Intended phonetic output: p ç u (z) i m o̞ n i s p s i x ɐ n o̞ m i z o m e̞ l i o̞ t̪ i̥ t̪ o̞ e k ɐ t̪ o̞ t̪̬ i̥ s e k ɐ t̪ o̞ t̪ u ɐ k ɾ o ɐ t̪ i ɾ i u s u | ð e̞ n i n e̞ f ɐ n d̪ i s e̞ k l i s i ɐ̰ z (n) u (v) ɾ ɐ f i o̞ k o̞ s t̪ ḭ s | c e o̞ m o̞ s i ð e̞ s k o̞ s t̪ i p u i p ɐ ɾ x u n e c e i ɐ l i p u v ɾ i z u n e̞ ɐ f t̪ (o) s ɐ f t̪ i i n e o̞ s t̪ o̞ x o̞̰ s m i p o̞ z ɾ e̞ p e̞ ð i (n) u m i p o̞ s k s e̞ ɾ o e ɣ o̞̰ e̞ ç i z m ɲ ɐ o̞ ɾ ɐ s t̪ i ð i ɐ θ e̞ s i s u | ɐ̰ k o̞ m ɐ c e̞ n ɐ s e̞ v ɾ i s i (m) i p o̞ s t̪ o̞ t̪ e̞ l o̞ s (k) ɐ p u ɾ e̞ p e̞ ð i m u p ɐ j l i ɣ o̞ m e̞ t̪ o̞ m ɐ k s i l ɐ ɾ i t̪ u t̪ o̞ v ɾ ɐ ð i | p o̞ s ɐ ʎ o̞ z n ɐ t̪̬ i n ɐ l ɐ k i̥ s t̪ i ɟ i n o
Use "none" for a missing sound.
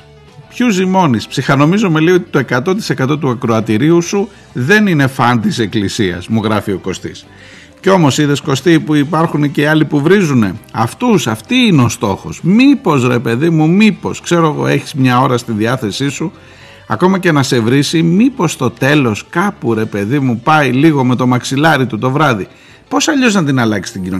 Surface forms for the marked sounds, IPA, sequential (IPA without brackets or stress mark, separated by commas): z, m, ɣ, u, m, m, k